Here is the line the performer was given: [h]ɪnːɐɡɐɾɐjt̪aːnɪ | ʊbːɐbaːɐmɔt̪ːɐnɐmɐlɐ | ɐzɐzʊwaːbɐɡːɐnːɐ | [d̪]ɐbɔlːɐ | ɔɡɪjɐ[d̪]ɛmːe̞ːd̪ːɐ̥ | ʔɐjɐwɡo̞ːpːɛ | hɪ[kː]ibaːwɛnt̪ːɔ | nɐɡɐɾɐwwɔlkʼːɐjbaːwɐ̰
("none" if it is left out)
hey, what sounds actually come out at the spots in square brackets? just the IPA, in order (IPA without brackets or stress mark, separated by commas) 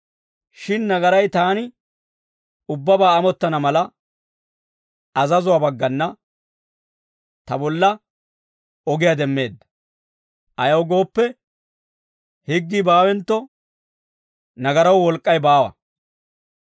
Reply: ʃ, t̪, d̪, ɡː